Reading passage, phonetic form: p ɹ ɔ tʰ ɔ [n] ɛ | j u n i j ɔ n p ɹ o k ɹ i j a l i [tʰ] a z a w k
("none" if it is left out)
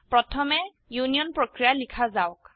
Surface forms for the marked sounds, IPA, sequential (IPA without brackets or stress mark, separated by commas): m, kʰ